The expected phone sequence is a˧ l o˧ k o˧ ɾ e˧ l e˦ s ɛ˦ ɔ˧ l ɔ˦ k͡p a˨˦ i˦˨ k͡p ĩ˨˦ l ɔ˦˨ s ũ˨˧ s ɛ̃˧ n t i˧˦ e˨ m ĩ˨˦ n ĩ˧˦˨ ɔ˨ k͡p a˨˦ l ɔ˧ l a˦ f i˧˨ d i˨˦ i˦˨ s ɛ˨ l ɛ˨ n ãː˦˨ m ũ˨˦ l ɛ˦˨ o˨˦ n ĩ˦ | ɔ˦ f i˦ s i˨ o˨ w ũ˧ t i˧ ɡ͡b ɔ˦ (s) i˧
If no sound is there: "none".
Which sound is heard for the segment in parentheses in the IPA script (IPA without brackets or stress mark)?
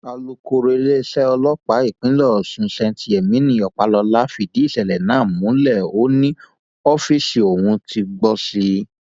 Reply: s